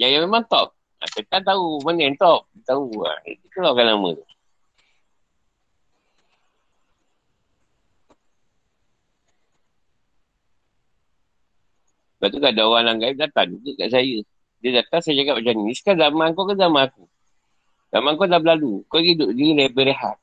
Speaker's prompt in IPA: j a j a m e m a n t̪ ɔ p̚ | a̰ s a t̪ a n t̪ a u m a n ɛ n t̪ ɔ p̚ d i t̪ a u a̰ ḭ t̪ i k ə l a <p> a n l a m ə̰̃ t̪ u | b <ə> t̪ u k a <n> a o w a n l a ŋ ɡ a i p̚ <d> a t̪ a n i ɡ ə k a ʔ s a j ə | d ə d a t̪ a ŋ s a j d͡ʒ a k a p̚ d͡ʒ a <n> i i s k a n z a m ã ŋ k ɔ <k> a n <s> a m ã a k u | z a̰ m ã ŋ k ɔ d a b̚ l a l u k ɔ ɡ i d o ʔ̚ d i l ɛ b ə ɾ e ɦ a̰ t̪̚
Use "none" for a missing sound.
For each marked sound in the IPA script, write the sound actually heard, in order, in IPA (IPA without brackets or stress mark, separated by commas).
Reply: k, a, d, d, n, k, z